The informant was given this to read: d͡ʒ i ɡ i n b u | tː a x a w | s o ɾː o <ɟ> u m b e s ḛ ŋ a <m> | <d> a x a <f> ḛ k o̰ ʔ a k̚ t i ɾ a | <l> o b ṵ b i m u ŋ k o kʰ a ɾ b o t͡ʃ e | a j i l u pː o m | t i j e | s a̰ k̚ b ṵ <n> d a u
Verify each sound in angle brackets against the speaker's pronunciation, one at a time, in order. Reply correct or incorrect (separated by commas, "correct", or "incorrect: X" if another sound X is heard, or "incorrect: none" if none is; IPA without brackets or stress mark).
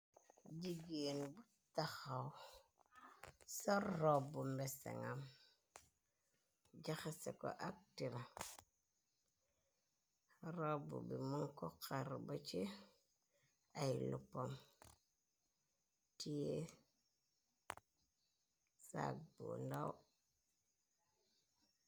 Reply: incorrect: b, correct, incorrect: d͡ʒ, incorrect: s, incorrect: ɾ, correct